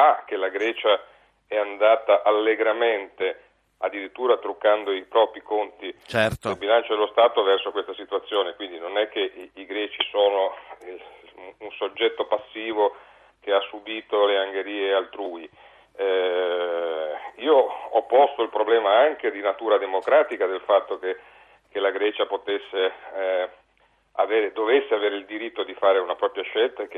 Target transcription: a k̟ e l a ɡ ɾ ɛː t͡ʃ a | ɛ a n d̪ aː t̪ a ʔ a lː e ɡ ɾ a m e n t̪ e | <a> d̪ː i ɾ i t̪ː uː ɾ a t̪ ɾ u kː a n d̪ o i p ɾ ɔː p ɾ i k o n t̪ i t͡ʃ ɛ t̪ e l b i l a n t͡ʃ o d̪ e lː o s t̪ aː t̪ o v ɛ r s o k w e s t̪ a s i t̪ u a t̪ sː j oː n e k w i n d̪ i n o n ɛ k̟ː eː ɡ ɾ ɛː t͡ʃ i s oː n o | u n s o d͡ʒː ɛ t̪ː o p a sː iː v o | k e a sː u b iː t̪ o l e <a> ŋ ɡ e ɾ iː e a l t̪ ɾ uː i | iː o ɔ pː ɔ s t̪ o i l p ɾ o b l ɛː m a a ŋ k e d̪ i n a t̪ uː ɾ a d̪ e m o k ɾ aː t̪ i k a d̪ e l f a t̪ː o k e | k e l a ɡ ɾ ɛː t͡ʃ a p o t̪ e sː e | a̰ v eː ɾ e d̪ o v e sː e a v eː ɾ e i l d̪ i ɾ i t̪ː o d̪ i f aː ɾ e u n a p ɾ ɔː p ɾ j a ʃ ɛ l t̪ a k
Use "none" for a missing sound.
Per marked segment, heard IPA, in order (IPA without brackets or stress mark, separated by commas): a, a